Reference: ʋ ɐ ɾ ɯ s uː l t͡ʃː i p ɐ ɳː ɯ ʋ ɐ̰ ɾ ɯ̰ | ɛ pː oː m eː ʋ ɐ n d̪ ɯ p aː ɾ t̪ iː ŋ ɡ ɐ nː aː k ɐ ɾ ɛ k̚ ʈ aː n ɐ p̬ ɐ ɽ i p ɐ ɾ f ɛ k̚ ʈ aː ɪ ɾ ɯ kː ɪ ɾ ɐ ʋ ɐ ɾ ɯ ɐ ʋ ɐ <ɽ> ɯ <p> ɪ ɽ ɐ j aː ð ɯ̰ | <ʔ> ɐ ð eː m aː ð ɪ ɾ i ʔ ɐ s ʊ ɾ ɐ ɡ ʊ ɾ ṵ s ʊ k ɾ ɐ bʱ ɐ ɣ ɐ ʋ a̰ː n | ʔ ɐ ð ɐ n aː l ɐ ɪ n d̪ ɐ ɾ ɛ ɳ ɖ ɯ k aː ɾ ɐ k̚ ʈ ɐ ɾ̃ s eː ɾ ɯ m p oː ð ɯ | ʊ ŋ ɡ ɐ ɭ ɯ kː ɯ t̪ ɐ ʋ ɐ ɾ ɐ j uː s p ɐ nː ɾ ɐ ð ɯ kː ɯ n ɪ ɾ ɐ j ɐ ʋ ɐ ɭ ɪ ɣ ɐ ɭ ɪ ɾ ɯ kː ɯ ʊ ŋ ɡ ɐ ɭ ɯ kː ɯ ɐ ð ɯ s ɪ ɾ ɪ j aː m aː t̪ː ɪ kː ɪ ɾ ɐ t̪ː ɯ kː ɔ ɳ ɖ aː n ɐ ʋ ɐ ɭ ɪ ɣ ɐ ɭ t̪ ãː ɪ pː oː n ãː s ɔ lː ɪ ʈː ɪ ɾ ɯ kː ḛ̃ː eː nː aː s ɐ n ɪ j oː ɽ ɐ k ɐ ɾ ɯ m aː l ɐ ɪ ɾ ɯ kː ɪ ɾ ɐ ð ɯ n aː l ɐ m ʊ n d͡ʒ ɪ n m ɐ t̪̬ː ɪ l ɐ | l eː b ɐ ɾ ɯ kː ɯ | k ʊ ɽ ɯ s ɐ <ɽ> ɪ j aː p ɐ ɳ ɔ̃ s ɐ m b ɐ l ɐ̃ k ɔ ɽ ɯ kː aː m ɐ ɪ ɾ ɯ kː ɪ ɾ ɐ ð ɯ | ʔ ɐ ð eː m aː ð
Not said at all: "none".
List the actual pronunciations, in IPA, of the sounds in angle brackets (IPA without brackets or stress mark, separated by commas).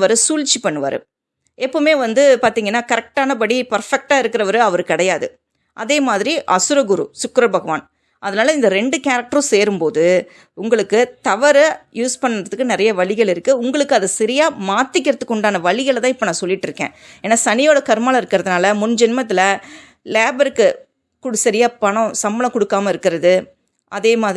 ɾ, k, ʔ, ɾ